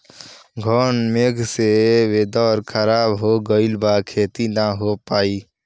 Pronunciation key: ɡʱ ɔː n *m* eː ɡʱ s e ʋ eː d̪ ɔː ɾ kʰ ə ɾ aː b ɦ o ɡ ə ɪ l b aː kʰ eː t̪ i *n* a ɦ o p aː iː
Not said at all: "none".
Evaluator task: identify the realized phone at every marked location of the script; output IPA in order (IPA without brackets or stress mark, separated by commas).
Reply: m, n